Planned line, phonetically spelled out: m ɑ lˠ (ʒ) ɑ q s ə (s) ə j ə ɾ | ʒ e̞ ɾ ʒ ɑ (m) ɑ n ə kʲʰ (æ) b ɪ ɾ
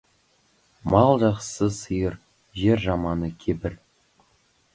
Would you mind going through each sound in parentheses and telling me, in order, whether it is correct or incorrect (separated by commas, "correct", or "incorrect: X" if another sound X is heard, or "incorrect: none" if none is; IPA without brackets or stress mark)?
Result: correct, correct, correct, incorrect: e